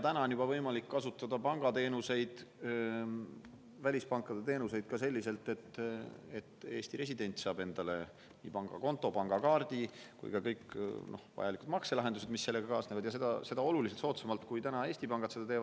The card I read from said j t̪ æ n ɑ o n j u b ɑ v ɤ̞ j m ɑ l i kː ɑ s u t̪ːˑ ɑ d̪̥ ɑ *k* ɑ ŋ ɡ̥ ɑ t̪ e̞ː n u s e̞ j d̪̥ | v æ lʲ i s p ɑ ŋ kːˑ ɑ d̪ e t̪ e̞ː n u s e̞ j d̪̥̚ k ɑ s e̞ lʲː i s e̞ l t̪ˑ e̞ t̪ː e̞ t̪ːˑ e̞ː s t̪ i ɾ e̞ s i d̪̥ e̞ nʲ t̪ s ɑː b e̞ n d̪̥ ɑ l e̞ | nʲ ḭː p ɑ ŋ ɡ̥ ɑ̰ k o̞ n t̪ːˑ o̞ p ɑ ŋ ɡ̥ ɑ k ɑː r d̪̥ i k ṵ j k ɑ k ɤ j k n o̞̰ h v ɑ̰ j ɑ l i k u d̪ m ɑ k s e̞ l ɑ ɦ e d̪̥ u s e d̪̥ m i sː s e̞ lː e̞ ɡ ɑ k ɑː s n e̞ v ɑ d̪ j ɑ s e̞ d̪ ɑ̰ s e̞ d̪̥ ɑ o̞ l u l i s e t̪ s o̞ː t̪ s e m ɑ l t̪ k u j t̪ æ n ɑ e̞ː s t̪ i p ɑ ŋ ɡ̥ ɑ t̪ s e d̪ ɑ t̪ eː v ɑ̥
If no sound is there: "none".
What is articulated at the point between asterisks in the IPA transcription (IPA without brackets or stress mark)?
p